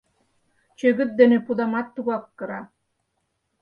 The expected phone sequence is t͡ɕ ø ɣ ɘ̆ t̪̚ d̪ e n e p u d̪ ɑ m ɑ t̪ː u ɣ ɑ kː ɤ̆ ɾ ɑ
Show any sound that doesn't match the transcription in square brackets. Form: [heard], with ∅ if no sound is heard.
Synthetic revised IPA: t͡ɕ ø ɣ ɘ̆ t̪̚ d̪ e n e p u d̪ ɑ m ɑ t̪ː u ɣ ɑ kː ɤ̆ ɾ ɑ